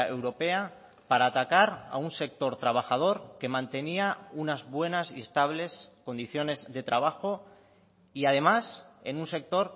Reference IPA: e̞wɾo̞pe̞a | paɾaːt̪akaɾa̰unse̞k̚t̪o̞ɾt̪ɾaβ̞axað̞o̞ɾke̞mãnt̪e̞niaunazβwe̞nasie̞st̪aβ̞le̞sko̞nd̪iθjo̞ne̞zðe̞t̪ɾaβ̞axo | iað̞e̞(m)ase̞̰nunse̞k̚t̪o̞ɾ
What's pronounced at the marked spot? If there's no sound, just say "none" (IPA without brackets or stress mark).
m